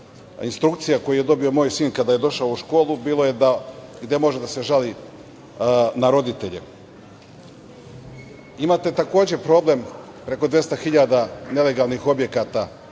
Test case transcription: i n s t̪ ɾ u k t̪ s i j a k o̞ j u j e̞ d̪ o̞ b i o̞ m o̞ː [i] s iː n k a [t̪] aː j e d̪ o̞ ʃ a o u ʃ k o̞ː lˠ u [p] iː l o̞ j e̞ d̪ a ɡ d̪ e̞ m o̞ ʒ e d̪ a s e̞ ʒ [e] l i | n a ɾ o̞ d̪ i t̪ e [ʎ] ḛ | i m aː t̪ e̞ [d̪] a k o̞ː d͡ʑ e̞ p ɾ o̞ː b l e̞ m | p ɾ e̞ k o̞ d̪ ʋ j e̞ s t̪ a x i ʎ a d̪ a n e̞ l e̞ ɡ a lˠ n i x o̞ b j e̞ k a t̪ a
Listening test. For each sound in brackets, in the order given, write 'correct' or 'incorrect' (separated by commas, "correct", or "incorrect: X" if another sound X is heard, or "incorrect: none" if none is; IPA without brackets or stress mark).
incorrect: j, incorrect: d̪, incorrect: b, incorrect: a, correct, incorrect: t̪